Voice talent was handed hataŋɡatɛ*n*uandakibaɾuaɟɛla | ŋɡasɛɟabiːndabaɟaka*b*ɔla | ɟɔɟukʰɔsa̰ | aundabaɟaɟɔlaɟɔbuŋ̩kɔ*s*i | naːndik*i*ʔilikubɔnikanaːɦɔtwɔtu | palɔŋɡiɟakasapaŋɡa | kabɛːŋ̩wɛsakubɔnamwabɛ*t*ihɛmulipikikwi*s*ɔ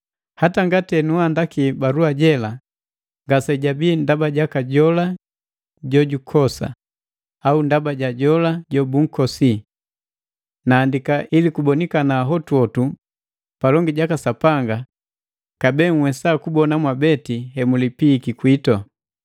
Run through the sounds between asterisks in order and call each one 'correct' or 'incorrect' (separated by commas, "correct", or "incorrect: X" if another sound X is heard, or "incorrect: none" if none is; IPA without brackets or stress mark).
correct, incorrect: ɟ, correct, incorrect: a, correct, incorrect: t